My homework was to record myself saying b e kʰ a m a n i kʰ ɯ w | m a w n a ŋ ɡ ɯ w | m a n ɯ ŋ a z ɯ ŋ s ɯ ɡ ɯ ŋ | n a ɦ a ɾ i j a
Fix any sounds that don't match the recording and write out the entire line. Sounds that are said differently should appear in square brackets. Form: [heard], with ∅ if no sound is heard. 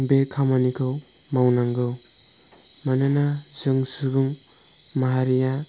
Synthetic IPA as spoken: b e kʰ a m a n i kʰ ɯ w | m a w n a ŋ ɡ ɯ w | m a n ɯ [n] a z ɯ ŋ s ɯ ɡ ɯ ŋ | [m] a ɦ a ɾ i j a